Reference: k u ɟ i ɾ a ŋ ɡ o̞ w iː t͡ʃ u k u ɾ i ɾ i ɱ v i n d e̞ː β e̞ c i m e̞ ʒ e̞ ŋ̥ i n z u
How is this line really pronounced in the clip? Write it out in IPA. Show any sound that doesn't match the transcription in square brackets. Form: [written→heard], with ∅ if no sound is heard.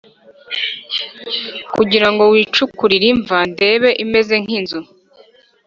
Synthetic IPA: k u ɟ i ɾ a ŋ ɡ o̞ w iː t͡ʃ u k u ɾ i ɾ i ɱ v [i→a] n d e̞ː β e̞ [c→ʔ] i m e̞ [ʒ→z] e̞ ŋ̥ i n z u

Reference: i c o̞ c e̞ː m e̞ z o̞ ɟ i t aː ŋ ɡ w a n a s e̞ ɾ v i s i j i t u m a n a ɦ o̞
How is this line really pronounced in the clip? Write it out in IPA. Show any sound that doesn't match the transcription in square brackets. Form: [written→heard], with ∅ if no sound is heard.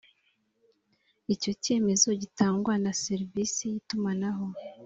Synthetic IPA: i c o̞ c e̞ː m e̞ z o̞ ɟ i t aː ŋ ɡ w a n a s e̞ ɾ v i s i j i t u m a n a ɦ o̞

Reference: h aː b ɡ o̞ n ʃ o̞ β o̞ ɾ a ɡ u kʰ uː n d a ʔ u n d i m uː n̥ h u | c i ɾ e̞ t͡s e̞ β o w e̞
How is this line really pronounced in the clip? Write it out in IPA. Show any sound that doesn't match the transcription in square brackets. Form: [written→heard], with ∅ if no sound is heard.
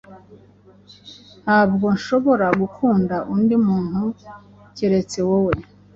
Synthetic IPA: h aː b ɡ o̞ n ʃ o̞ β o̞ ɾ a ɡ u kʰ uː n d a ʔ u n d i m uː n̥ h u | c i ɾ e̞ t͡s e̞ [β→w] o w e̞

